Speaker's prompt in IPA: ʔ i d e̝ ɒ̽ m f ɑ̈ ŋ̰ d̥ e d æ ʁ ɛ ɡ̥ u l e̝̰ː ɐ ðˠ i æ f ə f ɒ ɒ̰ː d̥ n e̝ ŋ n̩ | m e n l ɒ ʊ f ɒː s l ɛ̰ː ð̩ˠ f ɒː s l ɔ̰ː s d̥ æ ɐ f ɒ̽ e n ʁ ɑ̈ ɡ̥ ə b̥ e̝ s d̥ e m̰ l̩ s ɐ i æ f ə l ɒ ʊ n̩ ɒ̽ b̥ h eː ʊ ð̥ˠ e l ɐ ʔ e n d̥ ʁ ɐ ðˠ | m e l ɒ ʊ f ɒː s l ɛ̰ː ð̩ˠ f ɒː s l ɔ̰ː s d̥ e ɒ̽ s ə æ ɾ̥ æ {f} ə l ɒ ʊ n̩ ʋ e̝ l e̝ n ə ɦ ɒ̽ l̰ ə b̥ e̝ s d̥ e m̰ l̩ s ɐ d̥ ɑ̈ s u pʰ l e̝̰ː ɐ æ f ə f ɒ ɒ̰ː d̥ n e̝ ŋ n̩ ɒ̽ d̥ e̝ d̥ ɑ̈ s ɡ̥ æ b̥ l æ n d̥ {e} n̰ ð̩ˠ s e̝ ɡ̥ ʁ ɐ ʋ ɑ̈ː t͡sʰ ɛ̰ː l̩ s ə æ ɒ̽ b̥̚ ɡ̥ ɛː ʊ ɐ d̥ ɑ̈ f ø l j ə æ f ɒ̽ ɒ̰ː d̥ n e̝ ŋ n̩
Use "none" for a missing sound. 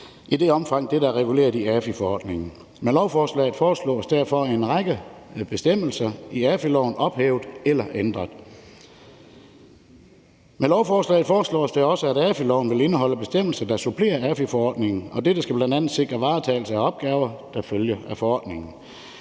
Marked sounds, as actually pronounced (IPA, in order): f, æ

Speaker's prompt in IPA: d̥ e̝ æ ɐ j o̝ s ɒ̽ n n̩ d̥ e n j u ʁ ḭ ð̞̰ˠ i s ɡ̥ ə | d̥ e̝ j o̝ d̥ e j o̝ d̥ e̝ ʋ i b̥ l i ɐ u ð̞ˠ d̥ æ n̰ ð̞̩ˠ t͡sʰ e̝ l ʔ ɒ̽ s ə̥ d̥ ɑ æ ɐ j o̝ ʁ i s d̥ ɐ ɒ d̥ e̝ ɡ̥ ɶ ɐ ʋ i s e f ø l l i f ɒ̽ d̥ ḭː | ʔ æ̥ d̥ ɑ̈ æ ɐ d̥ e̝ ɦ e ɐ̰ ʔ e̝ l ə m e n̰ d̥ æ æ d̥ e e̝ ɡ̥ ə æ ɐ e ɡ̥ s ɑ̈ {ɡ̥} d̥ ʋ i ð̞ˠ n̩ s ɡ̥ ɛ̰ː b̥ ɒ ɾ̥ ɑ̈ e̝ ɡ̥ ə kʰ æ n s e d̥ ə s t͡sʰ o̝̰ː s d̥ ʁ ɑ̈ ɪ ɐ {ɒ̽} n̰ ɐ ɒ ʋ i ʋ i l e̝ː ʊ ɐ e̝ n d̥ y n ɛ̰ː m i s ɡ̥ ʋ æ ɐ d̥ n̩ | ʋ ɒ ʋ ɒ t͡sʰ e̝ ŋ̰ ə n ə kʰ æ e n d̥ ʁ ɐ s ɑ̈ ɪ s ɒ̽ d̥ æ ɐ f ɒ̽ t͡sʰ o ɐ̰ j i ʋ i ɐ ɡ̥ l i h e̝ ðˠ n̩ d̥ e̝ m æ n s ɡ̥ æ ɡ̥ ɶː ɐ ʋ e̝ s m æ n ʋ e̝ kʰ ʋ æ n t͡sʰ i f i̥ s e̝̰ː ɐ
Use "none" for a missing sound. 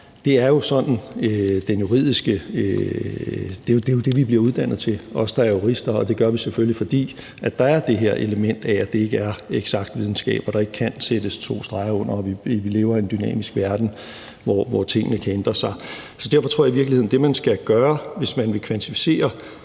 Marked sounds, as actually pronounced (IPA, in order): ɡ̥, ɔ̽

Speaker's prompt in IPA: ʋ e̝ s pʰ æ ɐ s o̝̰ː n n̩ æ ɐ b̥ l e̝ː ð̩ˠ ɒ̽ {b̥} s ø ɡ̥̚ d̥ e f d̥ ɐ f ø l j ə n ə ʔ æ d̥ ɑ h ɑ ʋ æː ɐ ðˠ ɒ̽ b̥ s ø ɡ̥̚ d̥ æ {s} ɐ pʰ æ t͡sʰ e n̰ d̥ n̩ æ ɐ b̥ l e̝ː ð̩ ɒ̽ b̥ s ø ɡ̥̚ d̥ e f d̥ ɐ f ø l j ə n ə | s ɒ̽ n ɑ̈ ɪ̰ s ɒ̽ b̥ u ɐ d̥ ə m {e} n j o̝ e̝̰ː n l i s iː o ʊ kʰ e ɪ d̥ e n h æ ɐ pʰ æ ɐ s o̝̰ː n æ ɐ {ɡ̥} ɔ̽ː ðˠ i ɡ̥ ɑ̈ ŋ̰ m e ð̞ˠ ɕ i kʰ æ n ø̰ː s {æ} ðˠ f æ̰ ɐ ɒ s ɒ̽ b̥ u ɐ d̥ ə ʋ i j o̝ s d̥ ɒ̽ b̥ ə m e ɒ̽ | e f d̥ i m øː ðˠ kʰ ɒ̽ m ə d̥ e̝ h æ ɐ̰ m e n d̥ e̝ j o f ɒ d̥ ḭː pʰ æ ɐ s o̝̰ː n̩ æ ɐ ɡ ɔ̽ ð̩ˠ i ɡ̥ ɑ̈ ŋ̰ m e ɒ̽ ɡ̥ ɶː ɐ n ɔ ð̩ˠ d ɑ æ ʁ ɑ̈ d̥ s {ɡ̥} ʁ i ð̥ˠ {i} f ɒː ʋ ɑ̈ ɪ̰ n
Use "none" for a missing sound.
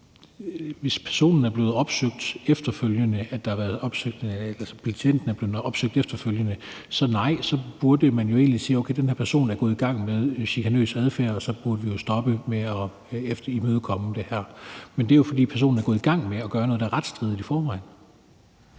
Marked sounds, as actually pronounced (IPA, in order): b̥, s, æ, ɡ̥, æ, d̥, i

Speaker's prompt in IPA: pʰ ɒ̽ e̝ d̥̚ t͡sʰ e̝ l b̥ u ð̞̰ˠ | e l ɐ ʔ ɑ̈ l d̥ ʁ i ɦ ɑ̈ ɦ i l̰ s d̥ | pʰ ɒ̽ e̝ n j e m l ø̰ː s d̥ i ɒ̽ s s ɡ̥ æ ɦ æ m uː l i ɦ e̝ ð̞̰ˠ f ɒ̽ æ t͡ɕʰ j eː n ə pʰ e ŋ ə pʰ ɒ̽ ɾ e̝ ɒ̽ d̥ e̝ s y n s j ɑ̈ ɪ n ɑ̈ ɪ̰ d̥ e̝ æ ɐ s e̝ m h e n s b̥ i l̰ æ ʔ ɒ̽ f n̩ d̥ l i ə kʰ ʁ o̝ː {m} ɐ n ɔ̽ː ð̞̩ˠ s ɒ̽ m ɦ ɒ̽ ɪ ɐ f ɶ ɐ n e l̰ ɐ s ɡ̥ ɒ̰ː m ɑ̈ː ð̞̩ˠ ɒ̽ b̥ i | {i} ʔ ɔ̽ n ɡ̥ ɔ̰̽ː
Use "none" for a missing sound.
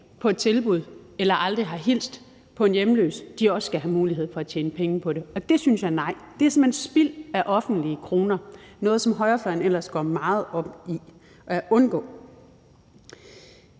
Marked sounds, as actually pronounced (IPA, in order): n, æ

